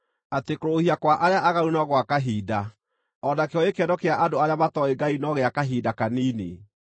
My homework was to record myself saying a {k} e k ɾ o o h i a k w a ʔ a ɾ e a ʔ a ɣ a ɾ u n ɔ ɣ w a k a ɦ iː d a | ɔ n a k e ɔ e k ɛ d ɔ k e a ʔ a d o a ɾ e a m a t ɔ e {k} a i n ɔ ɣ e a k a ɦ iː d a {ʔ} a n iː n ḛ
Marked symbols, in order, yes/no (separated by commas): no, no, no